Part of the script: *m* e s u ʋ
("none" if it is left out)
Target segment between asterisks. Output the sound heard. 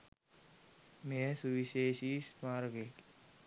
m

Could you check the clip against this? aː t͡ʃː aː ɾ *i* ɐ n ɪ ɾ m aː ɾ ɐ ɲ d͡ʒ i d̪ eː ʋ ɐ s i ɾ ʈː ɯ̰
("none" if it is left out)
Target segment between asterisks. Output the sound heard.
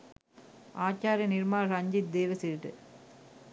j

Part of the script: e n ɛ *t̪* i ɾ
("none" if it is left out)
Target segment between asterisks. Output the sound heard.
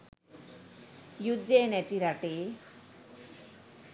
t̪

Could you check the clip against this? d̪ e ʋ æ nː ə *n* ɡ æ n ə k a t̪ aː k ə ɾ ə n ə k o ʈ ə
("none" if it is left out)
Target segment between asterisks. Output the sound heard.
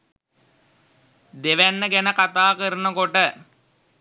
none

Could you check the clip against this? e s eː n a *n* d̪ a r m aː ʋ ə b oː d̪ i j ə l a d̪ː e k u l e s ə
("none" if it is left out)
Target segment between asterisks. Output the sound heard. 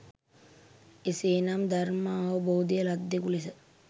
m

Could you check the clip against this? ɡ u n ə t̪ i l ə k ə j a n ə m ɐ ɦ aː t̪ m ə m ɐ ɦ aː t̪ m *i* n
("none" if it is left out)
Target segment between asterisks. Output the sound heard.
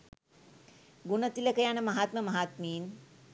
iː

